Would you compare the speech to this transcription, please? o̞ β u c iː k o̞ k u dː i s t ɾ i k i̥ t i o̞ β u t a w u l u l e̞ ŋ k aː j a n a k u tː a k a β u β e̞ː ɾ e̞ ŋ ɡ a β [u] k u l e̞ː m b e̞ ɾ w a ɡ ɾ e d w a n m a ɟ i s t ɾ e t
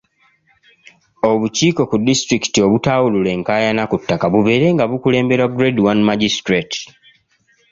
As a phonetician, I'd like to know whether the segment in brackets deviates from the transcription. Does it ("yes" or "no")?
no